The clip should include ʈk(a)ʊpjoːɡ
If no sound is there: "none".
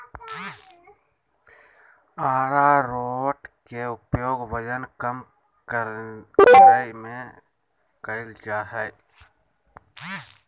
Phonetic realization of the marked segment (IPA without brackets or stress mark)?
e